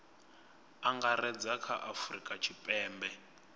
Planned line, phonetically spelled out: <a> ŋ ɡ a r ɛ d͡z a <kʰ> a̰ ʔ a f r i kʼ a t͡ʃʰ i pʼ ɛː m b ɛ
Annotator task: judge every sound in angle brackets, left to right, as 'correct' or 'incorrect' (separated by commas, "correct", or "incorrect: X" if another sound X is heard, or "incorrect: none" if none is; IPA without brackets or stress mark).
correct, correct